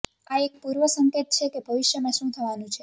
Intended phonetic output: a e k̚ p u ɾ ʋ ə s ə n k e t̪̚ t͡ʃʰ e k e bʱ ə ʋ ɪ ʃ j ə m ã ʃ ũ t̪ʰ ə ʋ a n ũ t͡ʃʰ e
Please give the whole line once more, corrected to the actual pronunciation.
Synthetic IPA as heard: a e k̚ p u ɾ ʋ ə s ə ŋ k e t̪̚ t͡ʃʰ e k e bʱ ə ʋ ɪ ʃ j ə m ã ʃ ũ t̪ʰ ə ʋ a n ũ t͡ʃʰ e